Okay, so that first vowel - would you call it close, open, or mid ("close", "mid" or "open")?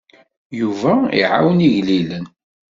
close